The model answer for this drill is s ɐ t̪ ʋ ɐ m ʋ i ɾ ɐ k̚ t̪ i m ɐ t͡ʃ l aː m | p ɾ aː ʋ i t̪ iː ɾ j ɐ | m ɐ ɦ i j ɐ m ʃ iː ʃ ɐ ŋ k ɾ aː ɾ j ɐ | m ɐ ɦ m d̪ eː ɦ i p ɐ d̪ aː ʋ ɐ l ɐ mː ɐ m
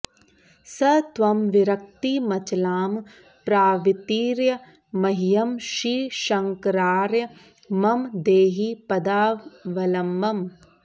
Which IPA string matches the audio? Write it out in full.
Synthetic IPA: s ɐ t̪ ʋ ɐ m ʋ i ɾ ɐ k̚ t̪ i m ɐ t͡ʃ l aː m | p ɾ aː ʋ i t̪ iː ɾ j ɐ | m ɐ ɦ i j ɐ m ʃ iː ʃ ɐ ŋ k ɾ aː ɾ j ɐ | m ɐ m d̪ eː ɦ i p ɐ d̪ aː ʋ ɐ l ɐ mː ɐ m